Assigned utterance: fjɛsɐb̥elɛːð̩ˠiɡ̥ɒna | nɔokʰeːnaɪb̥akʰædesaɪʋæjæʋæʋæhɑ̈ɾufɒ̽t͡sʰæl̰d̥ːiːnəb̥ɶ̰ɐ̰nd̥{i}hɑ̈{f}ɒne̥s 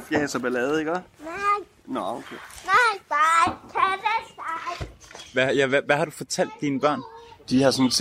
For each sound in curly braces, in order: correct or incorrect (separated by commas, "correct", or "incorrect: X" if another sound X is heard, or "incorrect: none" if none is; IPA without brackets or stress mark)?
correct, incorrect: s